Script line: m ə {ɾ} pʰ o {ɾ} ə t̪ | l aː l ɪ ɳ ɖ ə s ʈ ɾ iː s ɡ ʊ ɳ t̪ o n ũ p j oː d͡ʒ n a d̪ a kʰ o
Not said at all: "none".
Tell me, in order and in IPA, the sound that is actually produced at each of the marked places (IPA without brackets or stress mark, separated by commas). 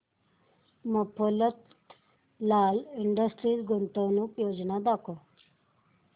none, l